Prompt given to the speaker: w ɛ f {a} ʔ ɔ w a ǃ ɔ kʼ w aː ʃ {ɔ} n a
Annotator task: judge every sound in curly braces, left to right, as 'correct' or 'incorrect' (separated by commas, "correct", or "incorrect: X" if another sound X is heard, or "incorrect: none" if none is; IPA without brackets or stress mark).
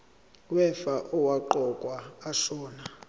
correct, incorrect: ɔː